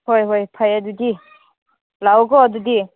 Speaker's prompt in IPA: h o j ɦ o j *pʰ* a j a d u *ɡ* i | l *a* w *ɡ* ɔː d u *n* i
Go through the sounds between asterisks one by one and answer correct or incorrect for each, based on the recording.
correct, incorrect: d, correct, correct, incorrect: d

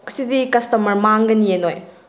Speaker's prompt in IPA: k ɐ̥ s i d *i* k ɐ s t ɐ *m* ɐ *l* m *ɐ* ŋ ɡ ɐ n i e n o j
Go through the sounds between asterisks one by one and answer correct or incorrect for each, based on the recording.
correct, correct, incorrect: ɾ, incorrect: a

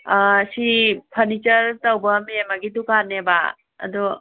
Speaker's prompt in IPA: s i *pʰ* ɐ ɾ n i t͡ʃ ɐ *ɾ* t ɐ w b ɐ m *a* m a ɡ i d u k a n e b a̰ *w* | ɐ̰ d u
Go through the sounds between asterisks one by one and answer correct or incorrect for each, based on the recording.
correct, correct, incorrect: e, incorrect: none

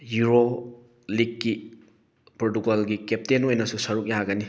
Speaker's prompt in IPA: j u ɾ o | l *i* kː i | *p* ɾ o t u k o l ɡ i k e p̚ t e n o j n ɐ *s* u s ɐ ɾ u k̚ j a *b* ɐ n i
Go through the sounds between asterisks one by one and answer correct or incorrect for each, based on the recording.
correct, correct, correct, incorrect: ɡ

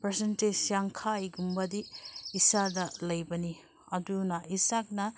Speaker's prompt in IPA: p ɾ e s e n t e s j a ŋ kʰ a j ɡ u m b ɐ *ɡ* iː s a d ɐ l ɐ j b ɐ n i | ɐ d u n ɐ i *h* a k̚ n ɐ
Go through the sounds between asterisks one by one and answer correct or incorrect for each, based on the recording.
incorrect: d, incorrect: s

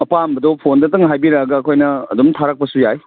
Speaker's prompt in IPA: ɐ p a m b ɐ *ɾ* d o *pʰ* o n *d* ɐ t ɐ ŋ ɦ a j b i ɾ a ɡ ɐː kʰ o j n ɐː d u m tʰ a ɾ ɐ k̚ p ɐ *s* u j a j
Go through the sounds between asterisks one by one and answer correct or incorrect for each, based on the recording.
incorrect: none, correct, correct, correct

